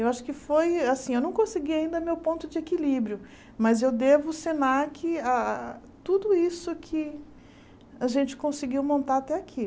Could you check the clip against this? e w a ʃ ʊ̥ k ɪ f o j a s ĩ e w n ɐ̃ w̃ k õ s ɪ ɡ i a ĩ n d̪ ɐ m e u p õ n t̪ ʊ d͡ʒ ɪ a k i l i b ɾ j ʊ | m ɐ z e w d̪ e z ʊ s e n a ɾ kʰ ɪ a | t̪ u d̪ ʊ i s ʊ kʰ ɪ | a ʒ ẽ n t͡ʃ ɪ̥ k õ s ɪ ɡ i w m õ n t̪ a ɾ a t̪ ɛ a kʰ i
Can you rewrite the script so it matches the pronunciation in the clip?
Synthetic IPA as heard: e w a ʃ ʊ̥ k ɪ f o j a s ĩ e w n ɐ̃ w̃ k õ s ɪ ɡ i a ĩ n d̪ ɐ m e w p õ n t̪ ʊ d͡ʒ ɪ e k i l i b ɾ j ʊ | m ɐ z e w d̪ e v ʊ s e n a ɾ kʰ ɪ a | t̪ u d̪ ʊ i s ʊ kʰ ɪ | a ʒ ẽ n t͡ʃ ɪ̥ k õ s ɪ ɡ i w m õ n t̪ a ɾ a t̪ ɛ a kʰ i